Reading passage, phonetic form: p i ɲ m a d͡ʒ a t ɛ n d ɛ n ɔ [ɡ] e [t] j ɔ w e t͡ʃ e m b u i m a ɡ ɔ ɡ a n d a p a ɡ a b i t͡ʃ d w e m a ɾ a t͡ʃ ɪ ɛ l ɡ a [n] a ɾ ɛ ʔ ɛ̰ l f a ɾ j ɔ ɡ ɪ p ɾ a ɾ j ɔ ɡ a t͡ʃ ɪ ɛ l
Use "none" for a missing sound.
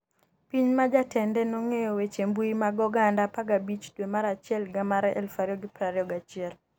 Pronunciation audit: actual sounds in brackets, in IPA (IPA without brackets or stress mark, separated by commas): ŋ, none, m